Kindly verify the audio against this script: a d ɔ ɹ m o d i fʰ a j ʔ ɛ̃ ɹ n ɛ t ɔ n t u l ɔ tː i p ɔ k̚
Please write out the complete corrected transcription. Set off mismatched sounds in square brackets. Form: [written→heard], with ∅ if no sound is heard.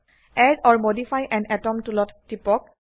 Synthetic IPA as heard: [a→ɛ] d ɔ ɹ m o d i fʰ a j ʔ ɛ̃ [ɹ→∅] n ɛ t ɔ [n→m] t u l ɔ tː i p ɔ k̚